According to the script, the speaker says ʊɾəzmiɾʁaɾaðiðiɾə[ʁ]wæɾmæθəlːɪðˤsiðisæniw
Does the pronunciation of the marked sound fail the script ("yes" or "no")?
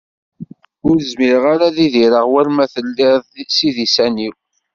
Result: no